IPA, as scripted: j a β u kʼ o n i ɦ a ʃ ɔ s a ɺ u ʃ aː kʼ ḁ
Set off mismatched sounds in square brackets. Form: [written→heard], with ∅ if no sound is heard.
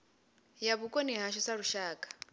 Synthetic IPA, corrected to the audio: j a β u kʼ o n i ɦ a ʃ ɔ s a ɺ u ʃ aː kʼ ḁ